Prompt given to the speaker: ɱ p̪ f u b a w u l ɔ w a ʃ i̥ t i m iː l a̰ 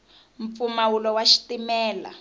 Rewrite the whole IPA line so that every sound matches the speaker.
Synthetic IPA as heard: ɱ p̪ f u m a w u l ɔ w a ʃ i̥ t i m ɛː l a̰